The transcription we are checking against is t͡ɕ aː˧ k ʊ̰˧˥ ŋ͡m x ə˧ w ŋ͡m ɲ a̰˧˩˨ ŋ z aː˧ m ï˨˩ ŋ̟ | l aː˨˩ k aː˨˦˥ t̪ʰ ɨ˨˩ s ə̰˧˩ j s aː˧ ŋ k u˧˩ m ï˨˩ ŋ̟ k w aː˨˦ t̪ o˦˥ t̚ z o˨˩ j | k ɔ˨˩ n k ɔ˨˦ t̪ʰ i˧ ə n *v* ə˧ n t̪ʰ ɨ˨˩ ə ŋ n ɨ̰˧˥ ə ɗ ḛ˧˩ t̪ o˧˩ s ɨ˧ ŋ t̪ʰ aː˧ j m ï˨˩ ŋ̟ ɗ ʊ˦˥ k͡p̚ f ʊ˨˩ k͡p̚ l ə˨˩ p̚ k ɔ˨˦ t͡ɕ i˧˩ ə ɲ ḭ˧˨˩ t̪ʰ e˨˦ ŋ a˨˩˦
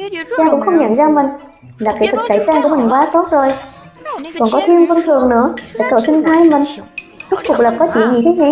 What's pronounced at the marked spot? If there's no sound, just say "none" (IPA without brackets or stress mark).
v